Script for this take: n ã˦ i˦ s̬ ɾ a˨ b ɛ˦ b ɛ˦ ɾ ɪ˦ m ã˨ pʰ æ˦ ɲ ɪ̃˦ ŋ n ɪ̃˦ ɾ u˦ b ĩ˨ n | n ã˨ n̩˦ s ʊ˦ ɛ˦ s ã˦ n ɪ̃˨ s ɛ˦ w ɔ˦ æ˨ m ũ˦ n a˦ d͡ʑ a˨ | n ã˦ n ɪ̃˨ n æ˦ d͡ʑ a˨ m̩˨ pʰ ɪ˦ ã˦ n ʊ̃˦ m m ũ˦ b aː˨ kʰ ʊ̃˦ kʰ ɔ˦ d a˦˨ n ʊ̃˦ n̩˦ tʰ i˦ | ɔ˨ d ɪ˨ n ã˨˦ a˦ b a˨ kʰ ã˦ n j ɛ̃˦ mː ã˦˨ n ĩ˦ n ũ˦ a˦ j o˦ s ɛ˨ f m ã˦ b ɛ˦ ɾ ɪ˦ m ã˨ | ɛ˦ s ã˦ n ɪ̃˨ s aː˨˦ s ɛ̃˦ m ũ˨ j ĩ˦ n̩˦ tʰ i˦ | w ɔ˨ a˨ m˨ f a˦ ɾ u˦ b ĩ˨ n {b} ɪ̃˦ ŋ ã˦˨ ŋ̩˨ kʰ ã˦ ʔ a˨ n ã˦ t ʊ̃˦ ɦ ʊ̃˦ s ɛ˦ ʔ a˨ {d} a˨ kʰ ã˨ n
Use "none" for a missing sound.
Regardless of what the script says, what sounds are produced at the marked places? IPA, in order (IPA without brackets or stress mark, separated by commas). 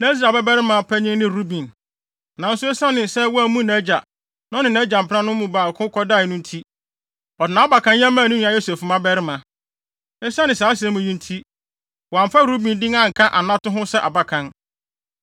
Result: d, b